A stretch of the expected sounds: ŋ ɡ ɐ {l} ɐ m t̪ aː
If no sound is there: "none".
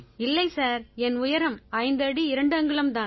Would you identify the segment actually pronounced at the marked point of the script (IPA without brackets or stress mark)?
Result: ɭ